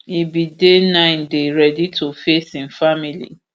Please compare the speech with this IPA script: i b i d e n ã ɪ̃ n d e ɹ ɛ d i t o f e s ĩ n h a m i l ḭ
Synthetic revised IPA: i b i d e n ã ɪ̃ n d e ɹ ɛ d i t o f e s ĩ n f a m i l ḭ